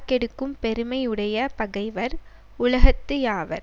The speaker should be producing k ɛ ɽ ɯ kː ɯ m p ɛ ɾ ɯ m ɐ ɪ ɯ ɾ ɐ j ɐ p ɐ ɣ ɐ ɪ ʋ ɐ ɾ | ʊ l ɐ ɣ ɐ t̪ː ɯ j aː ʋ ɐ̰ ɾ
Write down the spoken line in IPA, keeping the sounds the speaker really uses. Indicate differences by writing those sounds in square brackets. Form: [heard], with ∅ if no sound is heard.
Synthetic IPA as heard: k ɛ ɽ ɯ kː ɯ m p ɛ ɾ ɯ m ɐ ɪ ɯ [ɽ] ɐ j ɐ p ɐ ɣ ɐ ɪ ʋ ɐ ɾ | ʊ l ɐ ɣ ɐ t̪ː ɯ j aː ʋ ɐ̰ ɾ